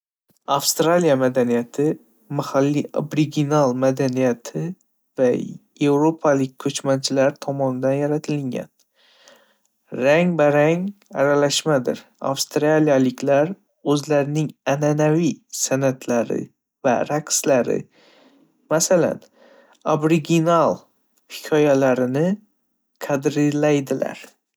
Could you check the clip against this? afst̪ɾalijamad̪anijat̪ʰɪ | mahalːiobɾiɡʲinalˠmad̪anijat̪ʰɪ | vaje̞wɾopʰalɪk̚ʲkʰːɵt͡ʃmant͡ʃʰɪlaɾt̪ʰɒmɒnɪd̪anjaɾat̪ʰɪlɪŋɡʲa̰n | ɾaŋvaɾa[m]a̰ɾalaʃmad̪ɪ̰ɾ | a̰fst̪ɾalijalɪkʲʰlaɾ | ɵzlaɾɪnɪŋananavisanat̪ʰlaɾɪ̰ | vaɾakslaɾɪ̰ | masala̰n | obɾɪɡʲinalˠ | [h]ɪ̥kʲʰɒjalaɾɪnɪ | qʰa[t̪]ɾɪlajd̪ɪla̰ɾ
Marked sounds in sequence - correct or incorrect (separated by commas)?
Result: incorrect, correct, incorrect